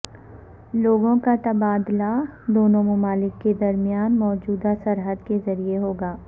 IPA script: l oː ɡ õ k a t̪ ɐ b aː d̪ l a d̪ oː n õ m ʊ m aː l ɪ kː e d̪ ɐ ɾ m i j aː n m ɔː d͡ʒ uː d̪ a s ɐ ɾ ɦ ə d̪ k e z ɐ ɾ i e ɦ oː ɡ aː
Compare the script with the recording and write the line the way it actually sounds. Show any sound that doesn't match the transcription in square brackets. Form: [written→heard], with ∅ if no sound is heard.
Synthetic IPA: l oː ɡ õ k a t̪ ɐ b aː d̪ l a d̪ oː n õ m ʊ m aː l ɪ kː e d̪ ɐ ɾ m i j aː n m ɔː d͡ʒ uː d̪ a s ɐ ɾ ɦ ə d̪ k e z ɐ ɾ i e ɦ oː ɡ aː